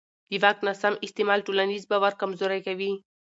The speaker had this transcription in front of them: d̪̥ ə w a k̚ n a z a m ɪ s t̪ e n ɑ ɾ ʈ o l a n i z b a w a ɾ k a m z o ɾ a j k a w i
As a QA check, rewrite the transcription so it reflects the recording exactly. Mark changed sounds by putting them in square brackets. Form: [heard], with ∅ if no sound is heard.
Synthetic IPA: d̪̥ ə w a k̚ n a [s] a m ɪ s t̪ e [m] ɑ [l] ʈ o l a n i z b a w a ɾ k a m z o ɾ a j k a w i